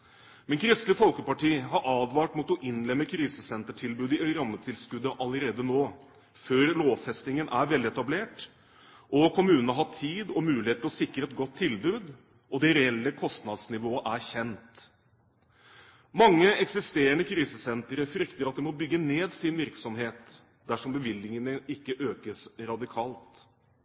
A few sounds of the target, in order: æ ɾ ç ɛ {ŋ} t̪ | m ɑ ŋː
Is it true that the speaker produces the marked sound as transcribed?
no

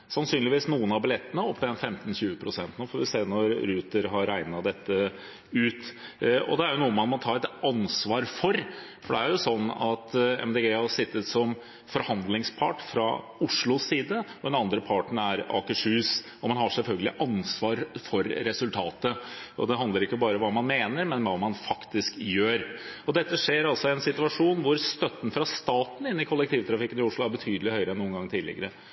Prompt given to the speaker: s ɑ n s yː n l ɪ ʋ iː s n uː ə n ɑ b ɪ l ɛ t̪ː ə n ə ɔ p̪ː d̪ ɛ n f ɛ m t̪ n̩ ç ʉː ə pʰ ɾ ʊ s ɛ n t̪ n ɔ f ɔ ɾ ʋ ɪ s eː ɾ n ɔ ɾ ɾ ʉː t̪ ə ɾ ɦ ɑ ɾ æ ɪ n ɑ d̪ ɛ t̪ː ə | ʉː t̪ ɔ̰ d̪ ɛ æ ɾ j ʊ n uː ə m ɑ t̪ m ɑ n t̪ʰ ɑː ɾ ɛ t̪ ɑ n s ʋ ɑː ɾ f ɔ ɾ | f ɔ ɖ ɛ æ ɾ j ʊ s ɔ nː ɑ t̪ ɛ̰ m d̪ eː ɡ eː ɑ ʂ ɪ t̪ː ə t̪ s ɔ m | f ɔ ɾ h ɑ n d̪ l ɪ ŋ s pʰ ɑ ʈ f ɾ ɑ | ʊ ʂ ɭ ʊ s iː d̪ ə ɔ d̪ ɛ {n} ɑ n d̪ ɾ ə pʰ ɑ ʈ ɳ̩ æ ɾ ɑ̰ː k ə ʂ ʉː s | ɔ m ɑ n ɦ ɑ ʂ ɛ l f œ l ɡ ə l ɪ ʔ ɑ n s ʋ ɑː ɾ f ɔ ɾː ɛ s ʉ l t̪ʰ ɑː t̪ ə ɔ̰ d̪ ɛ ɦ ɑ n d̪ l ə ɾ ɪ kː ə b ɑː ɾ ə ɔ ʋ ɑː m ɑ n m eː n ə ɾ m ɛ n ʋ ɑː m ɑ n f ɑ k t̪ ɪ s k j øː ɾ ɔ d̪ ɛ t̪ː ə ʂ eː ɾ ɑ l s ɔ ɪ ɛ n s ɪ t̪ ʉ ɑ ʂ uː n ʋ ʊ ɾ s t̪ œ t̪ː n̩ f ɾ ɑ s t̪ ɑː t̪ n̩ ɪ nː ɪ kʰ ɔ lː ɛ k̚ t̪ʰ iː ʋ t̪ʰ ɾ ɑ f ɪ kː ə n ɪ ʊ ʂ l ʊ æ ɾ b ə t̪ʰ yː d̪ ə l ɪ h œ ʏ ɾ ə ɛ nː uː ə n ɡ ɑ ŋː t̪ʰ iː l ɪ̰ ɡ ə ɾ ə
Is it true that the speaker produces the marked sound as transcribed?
yes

